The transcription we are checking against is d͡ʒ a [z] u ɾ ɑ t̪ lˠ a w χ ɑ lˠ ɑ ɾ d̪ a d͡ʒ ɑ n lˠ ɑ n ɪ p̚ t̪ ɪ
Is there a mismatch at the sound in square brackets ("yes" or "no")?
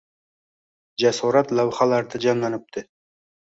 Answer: yes